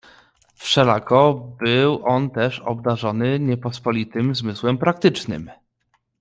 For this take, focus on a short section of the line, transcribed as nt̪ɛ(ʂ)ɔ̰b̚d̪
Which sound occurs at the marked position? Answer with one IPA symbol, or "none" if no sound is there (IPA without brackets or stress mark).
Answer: ʂ